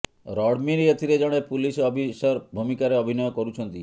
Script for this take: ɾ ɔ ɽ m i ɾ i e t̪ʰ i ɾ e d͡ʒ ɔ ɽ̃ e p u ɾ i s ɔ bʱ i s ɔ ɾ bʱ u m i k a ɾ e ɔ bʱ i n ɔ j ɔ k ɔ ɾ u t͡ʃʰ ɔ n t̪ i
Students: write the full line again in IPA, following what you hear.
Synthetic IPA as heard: ɾ ɔ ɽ m i ɾ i e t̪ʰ i ɾ e d͡ʒ ɔ ɽ̃ e p u l i s ɔ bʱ i s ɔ ɾ bʱ u m i k a ɾ e ɔ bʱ i n ɔ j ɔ k ɔ ɾ u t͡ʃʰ ɔ n t̪ i